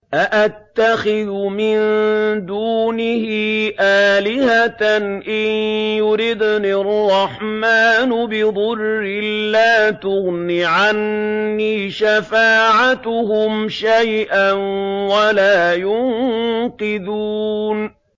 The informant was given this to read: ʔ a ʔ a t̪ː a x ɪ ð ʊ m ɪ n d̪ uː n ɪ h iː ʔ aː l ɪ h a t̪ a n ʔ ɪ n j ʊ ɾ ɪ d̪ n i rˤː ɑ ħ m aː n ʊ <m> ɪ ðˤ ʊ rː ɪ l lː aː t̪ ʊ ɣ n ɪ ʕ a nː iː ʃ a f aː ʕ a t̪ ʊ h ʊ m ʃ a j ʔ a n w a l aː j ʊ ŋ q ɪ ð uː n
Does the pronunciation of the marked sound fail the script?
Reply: yes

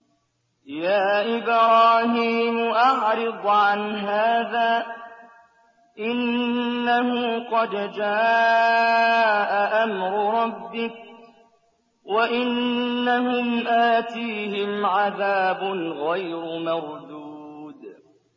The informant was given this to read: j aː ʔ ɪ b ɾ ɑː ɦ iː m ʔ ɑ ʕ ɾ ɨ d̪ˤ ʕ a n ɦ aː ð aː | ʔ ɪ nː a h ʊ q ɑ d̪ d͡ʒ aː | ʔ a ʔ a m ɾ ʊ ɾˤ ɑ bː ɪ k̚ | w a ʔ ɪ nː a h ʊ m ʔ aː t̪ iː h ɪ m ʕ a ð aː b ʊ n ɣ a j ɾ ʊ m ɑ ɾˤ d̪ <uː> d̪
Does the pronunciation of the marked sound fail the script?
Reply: no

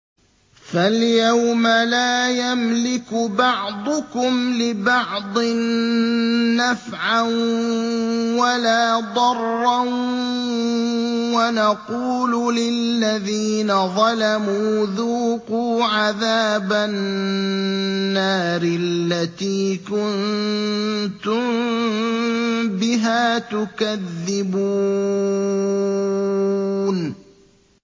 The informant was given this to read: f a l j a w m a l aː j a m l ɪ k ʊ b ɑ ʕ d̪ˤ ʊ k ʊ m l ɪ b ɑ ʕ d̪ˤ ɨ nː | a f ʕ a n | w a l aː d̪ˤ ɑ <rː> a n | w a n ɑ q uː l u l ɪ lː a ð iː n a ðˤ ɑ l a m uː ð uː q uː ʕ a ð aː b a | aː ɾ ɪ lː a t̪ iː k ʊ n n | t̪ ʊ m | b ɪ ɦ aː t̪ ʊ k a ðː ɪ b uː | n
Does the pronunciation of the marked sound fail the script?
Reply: no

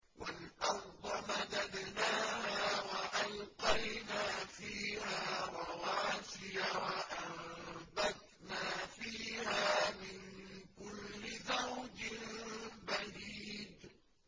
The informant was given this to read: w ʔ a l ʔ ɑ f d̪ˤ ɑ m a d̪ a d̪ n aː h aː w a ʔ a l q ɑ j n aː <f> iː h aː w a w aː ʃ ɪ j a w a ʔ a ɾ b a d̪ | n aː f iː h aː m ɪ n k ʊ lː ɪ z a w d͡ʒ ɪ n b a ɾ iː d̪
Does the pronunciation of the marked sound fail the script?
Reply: no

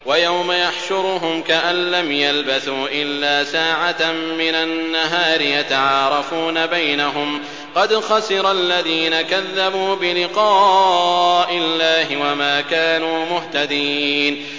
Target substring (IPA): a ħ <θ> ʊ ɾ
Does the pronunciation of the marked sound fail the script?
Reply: yes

